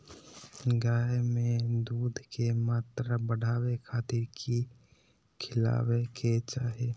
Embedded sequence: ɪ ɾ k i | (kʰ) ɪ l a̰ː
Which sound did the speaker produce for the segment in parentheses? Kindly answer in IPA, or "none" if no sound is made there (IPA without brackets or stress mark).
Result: kʰ